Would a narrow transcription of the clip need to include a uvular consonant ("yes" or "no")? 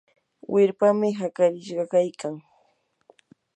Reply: yes